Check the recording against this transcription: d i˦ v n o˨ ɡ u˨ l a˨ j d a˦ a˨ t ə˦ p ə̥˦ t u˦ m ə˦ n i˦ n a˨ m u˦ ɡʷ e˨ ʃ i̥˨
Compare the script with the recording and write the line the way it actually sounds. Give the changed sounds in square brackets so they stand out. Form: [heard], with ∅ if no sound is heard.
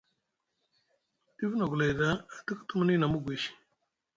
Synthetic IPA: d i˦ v n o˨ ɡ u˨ l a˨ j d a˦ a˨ t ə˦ [k] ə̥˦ t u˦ m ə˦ n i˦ n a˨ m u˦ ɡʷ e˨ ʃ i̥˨